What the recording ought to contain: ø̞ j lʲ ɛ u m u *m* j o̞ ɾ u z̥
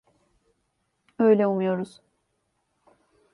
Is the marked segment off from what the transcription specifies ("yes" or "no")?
yes